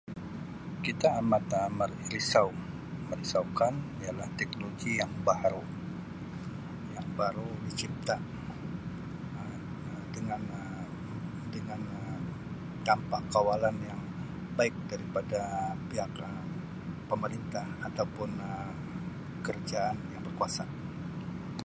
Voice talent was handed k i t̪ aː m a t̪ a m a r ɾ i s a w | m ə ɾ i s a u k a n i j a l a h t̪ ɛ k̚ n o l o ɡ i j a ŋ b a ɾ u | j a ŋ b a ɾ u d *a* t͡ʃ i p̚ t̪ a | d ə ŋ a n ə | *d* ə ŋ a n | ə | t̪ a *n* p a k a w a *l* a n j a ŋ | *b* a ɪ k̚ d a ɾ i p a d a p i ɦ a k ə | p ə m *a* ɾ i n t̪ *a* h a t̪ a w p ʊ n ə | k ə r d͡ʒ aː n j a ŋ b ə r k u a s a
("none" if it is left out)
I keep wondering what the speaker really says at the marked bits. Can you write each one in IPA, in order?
i, d, m, l, b, ə, a

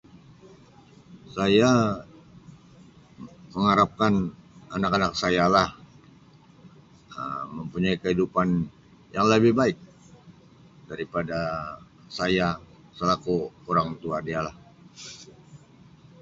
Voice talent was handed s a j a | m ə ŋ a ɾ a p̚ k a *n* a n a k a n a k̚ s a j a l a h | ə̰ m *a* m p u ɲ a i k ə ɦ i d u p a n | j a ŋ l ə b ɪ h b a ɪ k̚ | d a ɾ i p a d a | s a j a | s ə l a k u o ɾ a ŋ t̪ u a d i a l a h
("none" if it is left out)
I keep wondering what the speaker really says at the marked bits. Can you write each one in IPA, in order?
n, ə

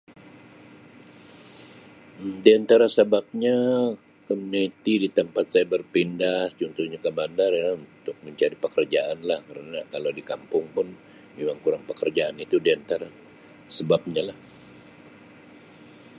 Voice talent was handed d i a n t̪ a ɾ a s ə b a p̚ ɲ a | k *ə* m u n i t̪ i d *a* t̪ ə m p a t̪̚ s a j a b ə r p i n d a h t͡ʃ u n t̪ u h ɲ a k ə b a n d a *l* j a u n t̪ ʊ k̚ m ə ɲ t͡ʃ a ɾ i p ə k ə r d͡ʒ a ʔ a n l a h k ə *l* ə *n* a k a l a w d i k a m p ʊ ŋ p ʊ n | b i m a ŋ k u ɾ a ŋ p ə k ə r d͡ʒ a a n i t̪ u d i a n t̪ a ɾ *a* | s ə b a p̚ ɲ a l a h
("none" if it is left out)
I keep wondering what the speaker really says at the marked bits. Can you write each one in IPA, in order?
ə, i, r, ɾ, n, a

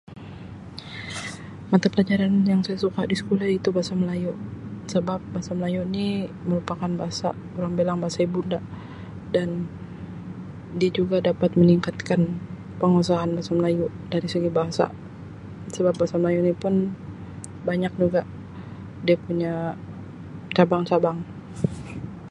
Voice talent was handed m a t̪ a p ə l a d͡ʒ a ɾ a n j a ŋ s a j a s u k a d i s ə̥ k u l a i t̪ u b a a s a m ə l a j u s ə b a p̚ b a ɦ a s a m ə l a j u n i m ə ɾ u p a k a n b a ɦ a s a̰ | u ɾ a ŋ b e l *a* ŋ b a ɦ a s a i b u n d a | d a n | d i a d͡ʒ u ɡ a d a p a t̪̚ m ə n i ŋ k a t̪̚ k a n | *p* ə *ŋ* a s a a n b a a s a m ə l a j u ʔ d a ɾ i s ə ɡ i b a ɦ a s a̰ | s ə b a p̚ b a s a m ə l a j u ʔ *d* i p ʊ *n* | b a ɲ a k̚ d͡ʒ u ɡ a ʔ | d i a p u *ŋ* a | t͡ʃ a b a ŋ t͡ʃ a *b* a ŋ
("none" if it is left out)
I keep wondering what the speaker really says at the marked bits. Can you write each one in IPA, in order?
a, p, ŋ, n, n, ɲ, b

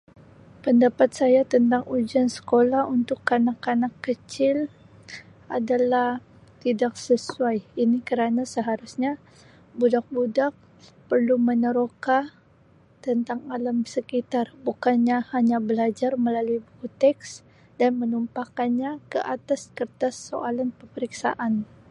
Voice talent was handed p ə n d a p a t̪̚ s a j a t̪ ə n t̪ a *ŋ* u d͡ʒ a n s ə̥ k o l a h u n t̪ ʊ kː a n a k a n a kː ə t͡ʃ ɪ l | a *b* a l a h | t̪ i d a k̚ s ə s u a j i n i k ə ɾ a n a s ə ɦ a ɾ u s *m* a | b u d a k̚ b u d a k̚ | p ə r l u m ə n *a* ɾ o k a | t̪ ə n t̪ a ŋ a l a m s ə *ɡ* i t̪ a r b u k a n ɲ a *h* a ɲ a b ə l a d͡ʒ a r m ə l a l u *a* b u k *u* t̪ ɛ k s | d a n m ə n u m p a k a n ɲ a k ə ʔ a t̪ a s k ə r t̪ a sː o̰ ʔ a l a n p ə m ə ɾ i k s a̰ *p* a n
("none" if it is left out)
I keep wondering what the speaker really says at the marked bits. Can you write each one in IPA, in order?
ŋ, d, ɲ, ə, k, h, i, u, ʔ

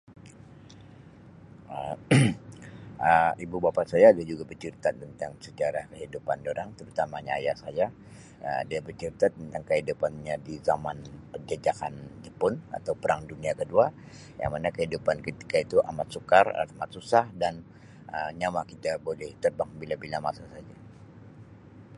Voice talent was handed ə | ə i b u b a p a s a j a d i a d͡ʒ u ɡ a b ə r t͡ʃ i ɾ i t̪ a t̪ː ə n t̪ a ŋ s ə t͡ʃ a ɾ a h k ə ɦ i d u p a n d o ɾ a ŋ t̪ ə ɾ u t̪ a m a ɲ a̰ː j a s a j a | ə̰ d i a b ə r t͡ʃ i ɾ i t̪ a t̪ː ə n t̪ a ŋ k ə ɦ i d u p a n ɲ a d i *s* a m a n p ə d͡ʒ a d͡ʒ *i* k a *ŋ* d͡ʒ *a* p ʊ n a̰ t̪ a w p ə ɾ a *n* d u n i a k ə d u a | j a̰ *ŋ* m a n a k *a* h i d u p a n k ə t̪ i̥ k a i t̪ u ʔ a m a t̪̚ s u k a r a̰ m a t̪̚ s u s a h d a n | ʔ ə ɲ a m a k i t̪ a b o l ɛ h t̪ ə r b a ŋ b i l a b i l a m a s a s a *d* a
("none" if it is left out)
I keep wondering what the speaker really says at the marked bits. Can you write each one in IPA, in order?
z, a, n, ə, ŋ, ŋ, ə, d͡ʒ

